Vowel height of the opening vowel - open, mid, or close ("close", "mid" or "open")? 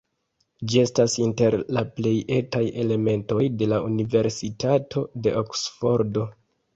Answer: close